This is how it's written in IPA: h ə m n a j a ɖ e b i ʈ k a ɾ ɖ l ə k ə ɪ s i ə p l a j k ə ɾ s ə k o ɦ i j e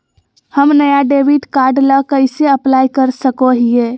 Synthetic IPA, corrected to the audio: h ə m n ə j a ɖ e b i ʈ k a ɾ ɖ l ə k ə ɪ s e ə p l a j k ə ɾ s ə k o ɦ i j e